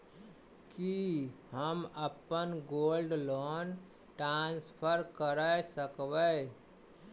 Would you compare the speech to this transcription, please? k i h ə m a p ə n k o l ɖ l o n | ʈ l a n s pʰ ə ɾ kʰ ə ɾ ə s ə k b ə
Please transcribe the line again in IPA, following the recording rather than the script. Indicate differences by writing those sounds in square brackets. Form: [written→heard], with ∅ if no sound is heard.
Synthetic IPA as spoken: k i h ə m [a→ə] p ə n [k→ɡ] o l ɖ l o n | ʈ [l→ɾ] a n s pʰ ə ɾ [kʰ→k] ə ɾ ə s ə k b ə